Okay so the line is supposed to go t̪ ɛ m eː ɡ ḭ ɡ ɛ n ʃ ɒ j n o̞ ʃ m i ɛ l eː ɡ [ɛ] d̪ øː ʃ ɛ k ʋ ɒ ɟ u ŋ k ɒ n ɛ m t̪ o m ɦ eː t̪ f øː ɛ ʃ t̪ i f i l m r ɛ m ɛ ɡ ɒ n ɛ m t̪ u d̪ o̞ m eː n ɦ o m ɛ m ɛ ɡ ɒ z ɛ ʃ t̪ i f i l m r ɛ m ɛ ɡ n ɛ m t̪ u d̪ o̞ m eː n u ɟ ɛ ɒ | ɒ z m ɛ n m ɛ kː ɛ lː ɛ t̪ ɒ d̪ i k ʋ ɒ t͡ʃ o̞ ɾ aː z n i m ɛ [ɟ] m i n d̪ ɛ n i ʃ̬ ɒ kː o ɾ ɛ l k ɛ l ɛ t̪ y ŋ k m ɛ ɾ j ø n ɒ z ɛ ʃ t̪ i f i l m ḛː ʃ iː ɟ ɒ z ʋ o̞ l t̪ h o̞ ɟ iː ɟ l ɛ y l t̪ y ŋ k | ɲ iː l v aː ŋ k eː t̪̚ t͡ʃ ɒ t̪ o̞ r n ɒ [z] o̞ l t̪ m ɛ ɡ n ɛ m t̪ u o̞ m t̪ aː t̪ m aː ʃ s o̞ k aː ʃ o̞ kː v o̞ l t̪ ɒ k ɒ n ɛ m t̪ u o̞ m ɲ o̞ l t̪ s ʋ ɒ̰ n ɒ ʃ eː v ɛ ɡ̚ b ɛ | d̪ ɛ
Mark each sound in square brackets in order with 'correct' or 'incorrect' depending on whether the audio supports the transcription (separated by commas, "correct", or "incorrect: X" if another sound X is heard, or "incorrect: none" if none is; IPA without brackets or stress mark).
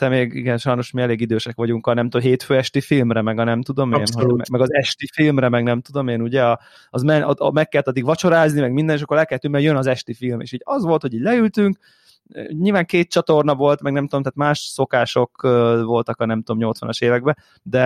incorrect: i, incorrect: ɡ, incorrect: v